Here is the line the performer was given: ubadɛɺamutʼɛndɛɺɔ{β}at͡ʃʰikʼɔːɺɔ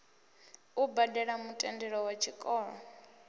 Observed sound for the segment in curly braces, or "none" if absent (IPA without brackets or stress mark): w